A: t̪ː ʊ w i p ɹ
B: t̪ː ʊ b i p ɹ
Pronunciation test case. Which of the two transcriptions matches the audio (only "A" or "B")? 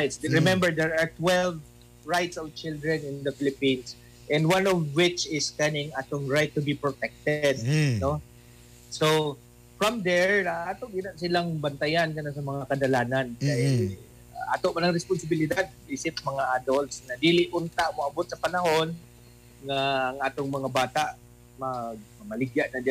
B